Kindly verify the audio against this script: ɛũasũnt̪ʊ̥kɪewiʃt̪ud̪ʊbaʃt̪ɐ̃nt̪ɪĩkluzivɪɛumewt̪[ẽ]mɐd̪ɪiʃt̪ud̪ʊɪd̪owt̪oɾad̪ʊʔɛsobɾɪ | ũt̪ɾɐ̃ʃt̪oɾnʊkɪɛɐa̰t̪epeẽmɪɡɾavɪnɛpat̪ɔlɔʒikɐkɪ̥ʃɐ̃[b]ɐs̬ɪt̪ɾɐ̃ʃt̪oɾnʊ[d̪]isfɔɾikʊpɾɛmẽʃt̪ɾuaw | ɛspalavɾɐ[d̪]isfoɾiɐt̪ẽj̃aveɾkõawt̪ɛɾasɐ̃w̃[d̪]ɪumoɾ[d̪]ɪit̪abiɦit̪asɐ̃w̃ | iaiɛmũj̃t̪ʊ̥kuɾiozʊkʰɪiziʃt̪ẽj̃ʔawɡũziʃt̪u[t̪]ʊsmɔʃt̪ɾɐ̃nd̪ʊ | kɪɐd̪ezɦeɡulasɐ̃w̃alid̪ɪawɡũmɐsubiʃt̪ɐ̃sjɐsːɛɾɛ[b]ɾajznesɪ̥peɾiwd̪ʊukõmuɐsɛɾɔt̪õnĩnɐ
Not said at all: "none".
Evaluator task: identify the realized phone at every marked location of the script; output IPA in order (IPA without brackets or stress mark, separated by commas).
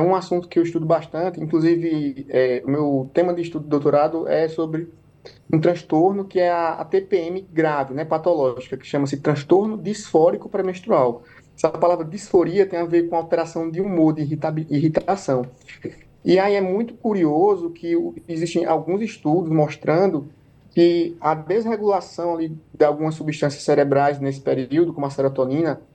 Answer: ẽ, m, d̪, d̪, d̪, d̪, d̪, b